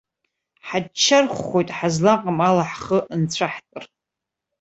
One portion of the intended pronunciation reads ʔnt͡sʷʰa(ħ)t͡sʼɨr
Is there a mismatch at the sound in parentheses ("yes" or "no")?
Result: no